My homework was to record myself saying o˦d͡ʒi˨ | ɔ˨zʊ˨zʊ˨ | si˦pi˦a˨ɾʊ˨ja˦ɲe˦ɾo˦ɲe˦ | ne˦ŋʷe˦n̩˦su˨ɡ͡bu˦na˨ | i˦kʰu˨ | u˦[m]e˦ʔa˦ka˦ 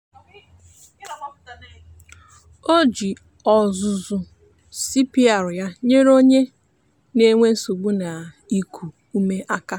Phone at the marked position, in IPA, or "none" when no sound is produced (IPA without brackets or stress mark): m